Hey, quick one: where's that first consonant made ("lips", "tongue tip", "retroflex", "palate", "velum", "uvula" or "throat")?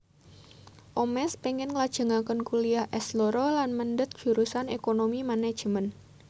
throat